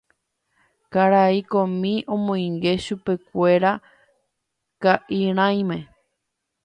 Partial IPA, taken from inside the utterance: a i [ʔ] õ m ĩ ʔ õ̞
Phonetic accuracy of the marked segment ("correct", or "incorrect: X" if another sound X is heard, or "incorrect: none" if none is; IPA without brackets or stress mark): incorrect: k